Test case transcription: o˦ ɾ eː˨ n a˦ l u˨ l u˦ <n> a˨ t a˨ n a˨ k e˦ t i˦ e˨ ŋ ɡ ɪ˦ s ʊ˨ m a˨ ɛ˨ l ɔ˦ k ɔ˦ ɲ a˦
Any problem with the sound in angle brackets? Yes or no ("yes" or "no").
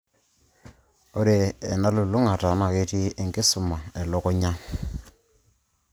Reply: yes